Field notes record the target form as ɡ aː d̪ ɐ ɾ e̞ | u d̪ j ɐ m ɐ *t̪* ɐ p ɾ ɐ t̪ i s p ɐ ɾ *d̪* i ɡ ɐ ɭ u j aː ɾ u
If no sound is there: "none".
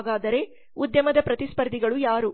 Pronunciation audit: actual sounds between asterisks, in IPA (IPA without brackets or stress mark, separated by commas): d̪, d̪